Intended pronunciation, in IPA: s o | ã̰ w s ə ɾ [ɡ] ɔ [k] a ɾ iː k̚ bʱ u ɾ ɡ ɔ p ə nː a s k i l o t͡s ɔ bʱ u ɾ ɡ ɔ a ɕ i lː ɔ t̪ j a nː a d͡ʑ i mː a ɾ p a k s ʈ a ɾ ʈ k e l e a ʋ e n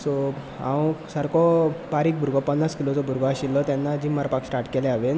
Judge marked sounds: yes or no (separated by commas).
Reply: no, no